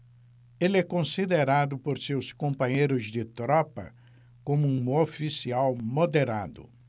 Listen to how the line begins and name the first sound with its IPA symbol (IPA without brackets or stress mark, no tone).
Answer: e